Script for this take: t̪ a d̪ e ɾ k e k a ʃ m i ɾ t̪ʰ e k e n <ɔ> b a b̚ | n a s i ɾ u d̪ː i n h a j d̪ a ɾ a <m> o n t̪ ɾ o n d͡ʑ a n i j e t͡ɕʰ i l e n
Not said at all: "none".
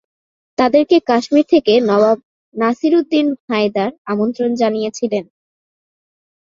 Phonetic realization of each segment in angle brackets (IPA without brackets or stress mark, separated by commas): ɔ, m